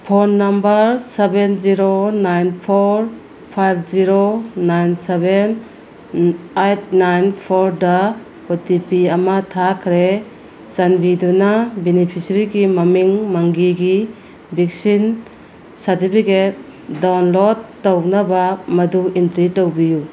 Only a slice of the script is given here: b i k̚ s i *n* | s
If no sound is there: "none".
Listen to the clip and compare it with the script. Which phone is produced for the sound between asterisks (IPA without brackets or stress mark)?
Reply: n